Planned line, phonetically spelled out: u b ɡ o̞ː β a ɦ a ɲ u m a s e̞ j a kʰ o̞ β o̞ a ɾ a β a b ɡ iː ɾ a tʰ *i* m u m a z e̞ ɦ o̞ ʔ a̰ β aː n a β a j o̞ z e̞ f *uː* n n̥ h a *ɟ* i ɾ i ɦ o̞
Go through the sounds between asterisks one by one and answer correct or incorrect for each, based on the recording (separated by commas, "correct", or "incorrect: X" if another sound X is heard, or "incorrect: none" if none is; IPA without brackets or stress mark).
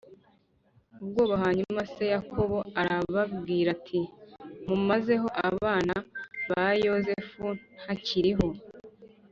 correct, incorrect: u, incorrect: c